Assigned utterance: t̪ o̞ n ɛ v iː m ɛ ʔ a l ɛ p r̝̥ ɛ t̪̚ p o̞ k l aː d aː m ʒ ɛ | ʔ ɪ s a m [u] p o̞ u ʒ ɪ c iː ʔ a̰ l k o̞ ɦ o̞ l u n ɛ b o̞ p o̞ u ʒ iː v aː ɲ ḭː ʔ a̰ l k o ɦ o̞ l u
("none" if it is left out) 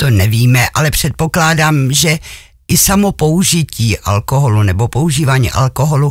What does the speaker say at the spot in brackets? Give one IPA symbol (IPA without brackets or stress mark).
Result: o